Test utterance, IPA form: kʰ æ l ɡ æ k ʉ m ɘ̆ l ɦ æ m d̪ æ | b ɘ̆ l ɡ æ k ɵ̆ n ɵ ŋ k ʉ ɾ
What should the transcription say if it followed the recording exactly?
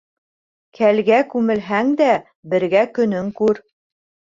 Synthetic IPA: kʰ æ l ɡ æ k ʉ m ɘ̆ l ɦ æ ŋ d̪ æ | b ɘ̆ ɾ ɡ æ k ɵ̆ n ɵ ŋ k ʉ ɾ